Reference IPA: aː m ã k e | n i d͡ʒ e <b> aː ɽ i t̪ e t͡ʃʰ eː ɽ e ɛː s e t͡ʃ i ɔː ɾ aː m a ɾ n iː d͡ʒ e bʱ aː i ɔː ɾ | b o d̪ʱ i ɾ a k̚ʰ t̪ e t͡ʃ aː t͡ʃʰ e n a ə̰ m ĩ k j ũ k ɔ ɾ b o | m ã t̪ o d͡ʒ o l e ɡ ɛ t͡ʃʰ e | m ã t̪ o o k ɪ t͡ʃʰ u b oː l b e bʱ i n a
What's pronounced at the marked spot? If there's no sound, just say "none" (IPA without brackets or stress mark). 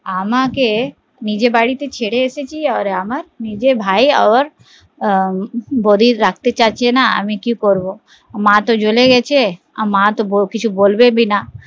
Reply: b